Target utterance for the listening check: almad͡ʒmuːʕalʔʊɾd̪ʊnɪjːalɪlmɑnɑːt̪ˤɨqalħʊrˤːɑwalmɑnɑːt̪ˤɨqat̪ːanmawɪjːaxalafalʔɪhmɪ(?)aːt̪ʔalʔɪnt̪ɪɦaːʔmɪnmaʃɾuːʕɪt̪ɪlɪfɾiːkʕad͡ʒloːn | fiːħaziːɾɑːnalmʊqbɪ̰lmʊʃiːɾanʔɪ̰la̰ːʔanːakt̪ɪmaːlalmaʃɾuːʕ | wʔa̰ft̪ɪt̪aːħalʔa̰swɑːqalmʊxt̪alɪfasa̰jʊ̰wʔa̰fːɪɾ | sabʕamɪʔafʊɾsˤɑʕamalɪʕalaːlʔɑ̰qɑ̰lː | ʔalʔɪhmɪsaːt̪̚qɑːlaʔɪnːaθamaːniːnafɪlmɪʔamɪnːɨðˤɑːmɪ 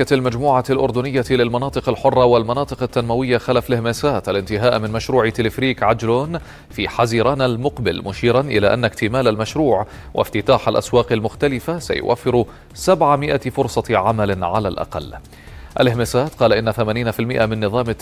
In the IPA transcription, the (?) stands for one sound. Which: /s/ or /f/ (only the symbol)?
s